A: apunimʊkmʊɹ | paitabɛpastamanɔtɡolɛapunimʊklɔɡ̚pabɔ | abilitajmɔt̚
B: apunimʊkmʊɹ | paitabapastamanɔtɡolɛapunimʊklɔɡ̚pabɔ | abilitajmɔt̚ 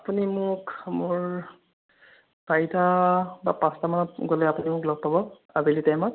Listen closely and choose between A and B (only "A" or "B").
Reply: B